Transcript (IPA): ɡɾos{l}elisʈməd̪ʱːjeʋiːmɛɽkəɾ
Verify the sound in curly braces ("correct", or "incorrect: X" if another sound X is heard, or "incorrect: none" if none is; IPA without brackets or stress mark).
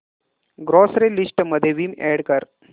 incorrect: ɾ